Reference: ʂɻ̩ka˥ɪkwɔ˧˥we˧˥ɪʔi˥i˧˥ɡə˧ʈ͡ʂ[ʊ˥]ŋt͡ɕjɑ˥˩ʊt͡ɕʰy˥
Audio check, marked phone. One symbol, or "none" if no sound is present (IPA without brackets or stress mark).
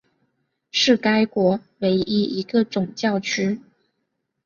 ʊ˨˩